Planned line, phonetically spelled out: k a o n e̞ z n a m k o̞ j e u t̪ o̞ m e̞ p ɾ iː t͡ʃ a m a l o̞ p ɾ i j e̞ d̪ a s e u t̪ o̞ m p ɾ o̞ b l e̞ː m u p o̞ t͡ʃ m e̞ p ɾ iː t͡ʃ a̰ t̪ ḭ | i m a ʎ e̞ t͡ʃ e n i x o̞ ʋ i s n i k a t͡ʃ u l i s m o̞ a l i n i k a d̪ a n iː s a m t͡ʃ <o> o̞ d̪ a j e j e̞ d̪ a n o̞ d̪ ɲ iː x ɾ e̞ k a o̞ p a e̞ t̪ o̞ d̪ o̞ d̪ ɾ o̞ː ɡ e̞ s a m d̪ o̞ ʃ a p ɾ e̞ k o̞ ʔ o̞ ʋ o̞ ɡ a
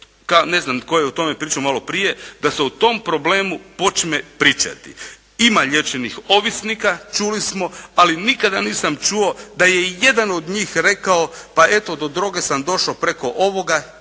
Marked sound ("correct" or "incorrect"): incorrect